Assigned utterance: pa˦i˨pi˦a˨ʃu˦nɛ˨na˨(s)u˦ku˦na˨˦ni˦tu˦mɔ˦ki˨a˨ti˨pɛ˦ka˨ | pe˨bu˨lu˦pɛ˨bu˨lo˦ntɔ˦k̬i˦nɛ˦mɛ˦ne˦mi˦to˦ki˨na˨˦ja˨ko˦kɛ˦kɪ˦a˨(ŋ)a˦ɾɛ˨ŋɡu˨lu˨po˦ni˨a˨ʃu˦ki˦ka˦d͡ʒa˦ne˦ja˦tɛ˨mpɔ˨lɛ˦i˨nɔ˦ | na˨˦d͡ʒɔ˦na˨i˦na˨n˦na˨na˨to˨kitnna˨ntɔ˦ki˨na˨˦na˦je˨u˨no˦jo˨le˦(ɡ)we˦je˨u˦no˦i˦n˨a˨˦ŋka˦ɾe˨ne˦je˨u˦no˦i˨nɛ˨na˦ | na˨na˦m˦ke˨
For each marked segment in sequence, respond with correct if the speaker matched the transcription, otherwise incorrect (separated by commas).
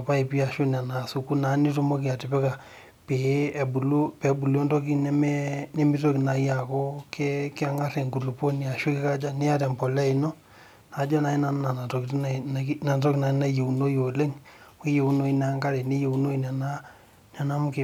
correct, correct, incorrect